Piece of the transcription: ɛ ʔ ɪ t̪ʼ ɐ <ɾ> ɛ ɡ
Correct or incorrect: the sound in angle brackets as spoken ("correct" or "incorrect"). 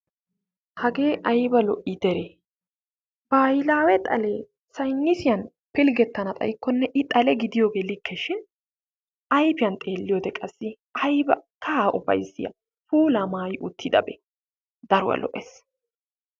incorrect